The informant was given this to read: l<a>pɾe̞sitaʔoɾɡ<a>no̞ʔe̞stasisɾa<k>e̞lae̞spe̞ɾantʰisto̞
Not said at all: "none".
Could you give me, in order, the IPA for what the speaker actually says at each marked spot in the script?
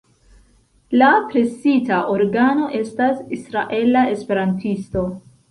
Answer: a, a, ʔ

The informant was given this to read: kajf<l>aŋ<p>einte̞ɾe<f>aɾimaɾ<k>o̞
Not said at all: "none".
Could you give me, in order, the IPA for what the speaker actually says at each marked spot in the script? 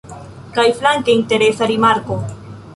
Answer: l, k, s, k

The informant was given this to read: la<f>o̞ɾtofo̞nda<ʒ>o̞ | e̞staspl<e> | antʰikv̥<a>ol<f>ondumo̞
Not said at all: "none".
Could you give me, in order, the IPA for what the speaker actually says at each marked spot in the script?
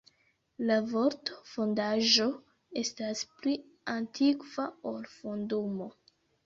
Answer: v, ʒ, i, a, f

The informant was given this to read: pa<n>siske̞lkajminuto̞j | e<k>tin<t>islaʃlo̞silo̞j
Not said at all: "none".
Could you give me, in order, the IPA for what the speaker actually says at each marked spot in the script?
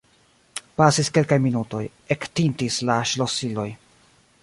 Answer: none, k, t

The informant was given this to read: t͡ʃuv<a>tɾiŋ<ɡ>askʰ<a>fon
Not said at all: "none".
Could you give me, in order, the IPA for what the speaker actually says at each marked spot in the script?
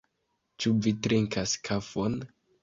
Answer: i, k, a

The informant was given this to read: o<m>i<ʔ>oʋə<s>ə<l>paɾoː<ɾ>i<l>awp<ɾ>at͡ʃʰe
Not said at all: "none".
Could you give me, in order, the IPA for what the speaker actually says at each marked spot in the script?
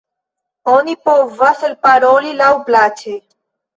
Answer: n, p, s, l, l, l, l

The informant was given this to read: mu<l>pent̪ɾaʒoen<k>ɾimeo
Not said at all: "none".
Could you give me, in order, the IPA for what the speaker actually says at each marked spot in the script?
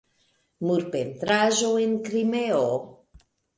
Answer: ɾ, k

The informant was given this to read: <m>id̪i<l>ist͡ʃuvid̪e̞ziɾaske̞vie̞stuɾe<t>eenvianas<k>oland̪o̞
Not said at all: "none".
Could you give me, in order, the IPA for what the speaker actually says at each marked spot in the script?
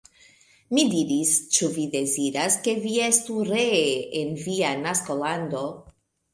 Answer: m, ɾ, none, k

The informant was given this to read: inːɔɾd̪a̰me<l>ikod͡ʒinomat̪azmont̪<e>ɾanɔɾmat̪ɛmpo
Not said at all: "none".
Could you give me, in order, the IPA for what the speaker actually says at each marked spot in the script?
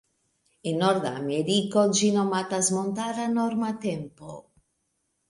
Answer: ɾ, a

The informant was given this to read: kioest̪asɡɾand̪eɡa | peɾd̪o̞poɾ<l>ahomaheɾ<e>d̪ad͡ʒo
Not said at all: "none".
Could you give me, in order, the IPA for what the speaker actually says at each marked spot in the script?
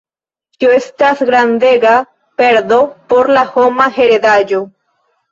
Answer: l, e

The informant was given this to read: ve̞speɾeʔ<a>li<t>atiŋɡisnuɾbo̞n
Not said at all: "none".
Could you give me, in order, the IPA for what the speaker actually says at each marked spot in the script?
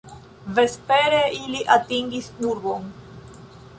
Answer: i, ʔ

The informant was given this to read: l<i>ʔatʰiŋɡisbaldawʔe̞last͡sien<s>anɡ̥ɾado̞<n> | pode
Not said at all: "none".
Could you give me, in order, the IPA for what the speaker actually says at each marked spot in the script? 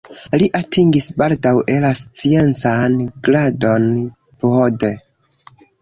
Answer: i, t͡s, n

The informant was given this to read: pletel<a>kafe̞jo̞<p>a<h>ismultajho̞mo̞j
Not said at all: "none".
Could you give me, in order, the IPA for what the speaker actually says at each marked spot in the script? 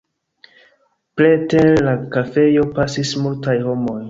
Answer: a, p, s

